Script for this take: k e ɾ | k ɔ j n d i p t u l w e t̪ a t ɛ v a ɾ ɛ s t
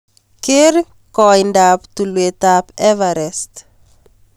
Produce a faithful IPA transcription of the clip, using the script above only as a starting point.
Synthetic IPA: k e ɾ | k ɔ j n d a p t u l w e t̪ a p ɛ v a ɾ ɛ s t